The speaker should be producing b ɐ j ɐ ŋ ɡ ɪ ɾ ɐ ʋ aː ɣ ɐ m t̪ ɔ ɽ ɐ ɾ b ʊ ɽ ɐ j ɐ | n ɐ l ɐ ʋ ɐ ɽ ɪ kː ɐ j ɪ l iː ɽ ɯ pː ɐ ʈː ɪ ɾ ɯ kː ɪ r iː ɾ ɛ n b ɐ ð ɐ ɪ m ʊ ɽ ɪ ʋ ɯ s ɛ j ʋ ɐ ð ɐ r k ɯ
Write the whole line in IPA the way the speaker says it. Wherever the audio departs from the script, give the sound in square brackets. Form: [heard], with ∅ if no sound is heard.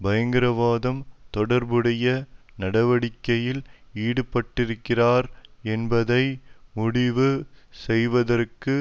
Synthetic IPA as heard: b ɐ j ɐ ŋ ɡ ɪ ɾ ɐ ʋ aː [ð] ɐ m t̪ ɔ ɽ ɐ ɾ b [ɯ] ɽ ɐ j ɐ | n ɐ [ɽ] ɐ ʋ ɐ ɽ ɪ kː ɐ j ɪ l iː ɽ ɯ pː ɐ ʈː ɪ ɾ ɯ kː ɪ r [aː] ɾ ɛ n b ɐ ð ɐ ɪ m ʊ ɽ ɪ ʋ ɯ s ɛ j ʋ ɐ ð ɐ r k ɯ